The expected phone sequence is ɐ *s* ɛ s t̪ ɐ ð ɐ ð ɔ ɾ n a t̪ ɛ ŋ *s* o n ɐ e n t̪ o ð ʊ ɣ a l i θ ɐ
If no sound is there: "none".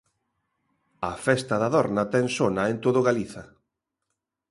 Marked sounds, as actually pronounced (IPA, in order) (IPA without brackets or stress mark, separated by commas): f, s